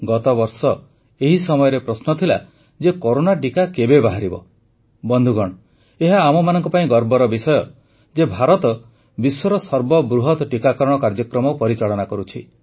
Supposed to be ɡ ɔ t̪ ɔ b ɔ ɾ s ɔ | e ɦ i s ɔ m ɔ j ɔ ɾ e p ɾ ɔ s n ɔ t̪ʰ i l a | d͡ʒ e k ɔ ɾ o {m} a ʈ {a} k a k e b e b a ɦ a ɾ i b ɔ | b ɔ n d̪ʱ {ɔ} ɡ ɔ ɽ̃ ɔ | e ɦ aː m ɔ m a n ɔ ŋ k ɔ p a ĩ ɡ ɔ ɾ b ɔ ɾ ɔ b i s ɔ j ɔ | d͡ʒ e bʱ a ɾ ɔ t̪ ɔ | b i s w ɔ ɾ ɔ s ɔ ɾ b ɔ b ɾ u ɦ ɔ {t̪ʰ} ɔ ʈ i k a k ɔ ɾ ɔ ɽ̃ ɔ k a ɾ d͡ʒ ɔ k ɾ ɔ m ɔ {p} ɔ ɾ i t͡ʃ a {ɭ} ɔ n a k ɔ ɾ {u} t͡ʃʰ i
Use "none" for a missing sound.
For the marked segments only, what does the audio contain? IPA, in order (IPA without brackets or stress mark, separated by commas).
n, i, u, t̪, p, ɭ, u